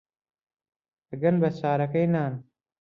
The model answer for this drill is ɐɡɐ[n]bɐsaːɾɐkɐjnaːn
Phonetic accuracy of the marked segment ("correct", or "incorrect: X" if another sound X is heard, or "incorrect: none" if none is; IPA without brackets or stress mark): correct